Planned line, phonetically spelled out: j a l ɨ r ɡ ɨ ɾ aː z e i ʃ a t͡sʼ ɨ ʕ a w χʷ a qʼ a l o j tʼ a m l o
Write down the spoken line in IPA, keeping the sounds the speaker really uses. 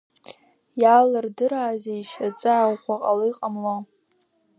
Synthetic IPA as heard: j a l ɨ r d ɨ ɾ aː z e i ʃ a t͡sʼ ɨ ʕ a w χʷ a qʼ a l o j qʼ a m l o

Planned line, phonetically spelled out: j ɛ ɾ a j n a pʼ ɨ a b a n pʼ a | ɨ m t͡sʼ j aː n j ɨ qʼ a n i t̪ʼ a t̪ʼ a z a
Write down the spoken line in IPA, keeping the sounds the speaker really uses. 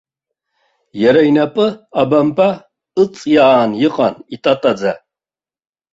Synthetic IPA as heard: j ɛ ɾ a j n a pʼ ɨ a b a m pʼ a | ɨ t͡sʼ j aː n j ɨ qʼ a n i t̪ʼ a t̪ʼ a d͡z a

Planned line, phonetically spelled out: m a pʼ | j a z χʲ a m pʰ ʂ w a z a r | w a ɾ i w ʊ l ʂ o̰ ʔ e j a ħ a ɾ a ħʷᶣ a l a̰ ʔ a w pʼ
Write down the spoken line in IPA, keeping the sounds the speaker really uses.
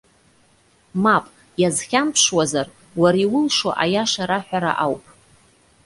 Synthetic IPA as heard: m a pʼ | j a z χʲ a m pʰ ʂ w a z a r | w a ɾ i w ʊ l ʂ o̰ ʔ a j a ʂ a ɾ a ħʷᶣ a ɾ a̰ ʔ a w pʼ

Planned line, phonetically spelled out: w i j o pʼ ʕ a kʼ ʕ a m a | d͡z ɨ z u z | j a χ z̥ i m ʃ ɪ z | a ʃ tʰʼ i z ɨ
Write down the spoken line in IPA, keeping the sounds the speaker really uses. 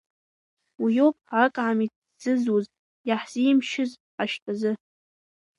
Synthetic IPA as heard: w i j o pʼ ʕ a kʼ ʕ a m i | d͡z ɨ z u z | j a ħ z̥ i m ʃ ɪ z | a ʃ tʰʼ a z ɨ

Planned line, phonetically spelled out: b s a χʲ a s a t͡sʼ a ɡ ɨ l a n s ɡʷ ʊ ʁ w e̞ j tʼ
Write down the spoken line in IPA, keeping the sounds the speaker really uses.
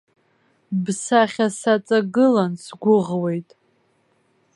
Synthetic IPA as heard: b s a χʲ a s a t͡sʼ a ɡ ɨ l a n s ɡʷ ʊ ʁ w e̞ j tʼ

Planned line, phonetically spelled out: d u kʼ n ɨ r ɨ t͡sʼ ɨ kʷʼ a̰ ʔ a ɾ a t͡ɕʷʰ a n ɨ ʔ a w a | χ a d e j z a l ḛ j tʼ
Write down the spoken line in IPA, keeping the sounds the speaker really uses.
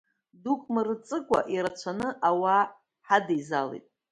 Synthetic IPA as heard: d u kʼ m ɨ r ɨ t͡sʼ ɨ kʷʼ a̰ ʔ i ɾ a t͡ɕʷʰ a n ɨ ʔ a w a | ħ a d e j z a l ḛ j tʼ

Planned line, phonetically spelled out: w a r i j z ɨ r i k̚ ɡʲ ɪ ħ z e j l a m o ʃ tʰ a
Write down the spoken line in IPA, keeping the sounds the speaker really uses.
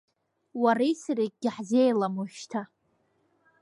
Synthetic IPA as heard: w a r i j s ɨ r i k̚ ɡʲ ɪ ħ z e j l a m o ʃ tʰ a

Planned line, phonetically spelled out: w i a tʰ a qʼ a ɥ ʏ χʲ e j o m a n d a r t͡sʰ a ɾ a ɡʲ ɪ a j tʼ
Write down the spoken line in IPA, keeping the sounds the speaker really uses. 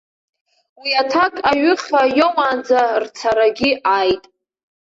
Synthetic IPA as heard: w i a tʰ a kʼ a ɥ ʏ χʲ a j o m a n d͡z a r t͡sʰ a ɾ a ɡʲ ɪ a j tʼ

